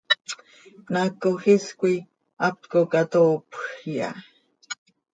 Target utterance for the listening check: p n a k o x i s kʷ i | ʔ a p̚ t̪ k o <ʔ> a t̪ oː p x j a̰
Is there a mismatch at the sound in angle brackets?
yes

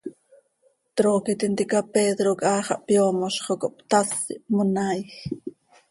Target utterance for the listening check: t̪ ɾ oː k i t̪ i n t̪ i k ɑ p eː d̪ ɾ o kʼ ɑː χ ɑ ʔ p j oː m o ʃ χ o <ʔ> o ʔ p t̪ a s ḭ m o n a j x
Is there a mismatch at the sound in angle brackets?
yes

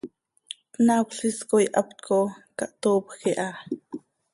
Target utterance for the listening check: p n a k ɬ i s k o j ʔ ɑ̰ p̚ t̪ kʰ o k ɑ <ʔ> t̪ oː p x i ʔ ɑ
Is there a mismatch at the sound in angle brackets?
no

